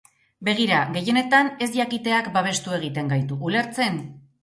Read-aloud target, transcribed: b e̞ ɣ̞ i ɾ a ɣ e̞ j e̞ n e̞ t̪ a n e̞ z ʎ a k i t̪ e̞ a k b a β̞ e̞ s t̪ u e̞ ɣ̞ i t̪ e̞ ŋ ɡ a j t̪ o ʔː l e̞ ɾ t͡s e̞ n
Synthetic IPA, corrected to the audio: b e̞ ɣ̞ i ɾ a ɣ e̞ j e̞ n e̞ t̪ a n e̞ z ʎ a k i t̪ e̞ a k b a β̞ e̞ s t̪ u e̞ ɣ̞ i t̪ e̞ ŋ ɡ a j t̪ u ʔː l e̞ ɾ t͡s e̞ n